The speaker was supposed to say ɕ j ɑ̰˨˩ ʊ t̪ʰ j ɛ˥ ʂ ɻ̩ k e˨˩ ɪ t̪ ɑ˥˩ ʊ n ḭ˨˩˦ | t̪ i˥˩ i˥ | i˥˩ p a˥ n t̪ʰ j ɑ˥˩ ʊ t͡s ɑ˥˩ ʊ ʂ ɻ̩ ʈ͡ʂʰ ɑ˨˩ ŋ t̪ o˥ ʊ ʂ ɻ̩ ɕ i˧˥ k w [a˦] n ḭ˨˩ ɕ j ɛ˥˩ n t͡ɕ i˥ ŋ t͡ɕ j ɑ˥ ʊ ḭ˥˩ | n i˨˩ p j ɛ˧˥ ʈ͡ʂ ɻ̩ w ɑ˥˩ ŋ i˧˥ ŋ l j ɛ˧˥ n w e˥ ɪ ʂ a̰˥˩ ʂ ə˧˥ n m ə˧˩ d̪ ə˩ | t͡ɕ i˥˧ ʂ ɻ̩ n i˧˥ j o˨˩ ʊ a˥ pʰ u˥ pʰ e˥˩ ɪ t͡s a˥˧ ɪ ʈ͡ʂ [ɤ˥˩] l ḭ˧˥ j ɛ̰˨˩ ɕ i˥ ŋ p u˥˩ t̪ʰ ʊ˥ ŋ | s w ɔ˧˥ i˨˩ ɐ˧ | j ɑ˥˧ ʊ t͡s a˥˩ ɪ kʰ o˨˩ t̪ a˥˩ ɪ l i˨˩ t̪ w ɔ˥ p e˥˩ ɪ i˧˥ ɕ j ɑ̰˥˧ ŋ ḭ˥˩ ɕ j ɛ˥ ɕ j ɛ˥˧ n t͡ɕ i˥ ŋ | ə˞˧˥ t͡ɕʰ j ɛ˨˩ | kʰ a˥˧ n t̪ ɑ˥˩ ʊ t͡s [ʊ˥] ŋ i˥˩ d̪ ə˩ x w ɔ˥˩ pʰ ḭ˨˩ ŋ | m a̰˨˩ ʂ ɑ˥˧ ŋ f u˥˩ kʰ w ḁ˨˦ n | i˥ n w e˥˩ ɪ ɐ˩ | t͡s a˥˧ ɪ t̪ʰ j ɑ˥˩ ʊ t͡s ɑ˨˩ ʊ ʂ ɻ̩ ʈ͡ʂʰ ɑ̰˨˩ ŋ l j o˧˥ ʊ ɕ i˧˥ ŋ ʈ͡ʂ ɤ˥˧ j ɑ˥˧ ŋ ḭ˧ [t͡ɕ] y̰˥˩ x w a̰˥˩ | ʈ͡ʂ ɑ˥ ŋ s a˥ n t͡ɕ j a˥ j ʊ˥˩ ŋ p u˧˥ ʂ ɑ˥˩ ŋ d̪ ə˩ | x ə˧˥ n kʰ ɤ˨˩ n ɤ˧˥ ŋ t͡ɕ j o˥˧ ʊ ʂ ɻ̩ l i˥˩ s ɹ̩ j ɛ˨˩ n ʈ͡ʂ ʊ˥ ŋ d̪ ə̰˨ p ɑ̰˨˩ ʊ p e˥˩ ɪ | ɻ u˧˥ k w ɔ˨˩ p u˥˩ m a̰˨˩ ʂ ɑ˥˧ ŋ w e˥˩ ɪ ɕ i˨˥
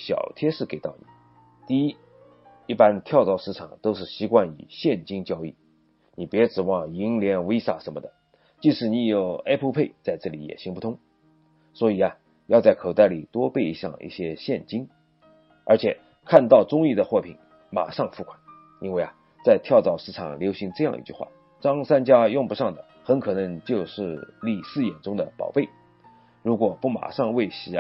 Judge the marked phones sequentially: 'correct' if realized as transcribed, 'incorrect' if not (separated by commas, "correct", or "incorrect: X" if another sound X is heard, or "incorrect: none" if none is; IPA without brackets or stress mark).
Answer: incorrect: a˥˩, correct, correct, correct